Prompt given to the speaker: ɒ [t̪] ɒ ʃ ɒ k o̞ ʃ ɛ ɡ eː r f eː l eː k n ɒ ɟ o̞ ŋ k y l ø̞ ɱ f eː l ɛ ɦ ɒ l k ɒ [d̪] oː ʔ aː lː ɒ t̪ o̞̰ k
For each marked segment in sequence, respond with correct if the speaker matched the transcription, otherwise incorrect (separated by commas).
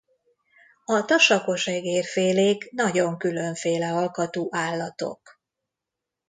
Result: correct, incorrect